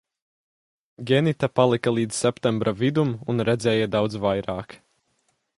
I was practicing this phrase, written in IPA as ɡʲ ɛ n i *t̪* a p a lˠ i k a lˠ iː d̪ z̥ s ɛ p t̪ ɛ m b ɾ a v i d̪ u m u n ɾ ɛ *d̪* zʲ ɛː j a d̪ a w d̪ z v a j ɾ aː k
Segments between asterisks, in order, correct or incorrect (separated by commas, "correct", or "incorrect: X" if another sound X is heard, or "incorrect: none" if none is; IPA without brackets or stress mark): correct, correct